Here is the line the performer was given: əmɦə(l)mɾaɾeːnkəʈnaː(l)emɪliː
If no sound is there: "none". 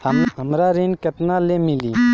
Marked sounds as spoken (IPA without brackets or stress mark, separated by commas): none, l